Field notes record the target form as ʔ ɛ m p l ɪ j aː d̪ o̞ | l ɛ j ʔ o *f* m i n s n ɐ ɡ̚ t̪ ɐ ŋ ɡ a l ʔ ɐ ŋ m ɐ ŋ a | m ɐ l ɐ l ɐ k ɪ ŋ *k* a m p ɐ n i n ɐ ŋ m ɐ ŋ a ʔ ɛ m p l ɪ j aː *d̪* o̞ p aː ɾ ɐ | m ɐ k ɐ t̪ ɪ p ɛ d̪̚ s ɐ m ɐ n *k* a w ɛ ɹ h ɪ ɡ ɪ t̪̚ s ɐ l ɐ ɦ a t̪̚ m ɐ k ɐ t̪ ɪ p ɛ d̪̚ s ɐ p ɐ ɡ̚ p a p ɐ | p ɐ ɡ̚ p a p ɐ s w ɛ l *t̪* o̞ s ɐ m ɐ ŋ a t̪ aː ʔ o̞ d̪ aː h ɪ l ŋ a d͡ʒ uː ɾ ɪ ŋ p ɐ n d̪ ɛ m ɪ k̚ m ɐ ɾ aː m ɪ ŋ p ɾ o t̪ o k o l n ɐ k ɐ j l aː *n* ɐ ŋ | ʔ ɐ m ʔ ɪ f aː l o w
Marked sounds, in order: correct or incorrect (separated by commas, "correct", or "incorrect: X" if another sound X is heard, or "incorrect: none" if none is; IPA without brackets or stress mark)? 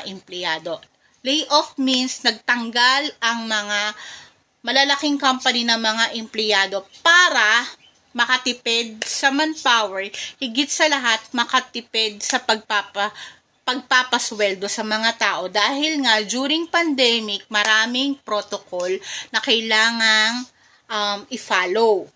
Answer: correct, correct, correct, incorrect: p, incorrect: d̪, incorrect: ŋ